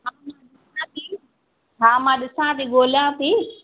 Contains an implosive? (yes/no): yes